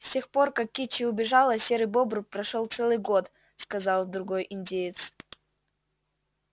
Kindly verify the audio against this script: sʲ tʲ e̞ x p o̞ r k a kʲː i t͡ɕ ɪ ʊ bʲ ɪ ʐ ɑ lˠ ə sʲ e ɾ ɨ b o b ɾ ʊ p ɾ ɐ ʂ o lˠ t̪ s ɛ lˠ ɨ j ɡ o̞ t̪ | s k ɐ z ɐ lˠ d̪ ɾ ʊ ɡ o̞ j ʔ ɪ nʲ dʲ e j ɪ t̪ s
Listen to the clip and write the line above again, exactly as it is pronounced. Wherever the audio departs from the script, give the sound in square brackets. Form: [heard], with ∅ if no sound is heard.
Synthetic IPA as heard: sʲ tʲ e̞ x p o̞ r k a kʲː i t͡ɕ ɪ ʊ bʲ ɪ ʐ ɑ lˠ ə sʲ e ɾ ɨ b o b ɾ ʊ p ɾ ɐ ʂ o lˠ t̪ s ɛ lˠ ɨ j ɡ o̞ t̪ | s k ɐ z [ɑ] lˠ d̪ ɾ ʊ ɡ o̞ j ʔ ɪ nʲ dʲ e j ɪ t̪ s